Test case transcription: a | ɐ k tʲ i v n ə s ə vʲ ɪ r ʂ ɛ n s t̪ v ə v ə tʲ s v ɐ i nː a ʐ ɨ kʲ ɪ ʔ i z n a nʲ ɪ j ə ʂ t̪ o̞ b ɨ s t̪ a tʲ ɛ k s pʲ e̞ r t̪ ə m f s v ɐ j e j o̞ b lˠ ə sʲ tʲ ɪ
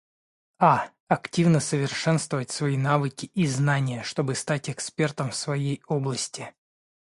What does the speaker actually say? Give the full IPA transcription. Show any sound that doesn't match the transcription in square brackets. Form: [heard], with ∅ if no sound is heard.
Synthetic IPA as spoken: a | ɐ k tʲ i v n ə s ə vʲ ɪ r ʂ ɛ n s t̪ v ə v ə tʲ s v ɐ i [n] a [v] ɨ kʲ ɪ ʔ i z n a nʲ ɪ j ə ʂ t̪ o̞ b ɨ s t̪ a tʲ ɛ k s pʲ e̞ r t̪ ə m f s v ɐ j e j o̞ b lˠ ə sʲ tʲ ɪ